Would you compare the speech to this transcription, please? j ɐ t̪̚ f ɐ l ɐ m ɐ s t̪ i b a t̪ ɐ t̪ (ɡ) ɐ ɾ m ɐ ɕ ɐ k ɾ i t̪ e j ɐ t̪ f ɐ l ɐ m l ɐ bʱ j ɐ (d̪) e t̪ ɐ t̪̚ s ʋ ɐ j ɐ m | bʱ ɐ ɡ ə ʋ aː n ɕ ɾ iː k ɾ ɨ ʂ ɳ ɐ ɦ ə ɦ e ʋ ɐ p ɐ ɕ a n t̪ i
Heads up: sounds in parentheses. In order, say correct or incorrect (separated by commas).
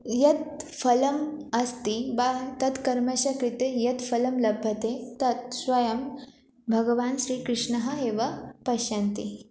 incorrect, incorrect